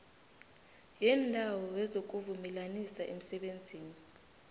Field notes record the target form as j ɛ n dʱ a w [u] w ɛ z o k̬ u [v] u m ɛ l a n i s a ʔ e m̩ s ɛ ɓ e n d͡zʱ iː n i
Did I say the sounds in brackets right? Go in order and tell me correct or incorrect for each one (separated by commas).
incorrect, correct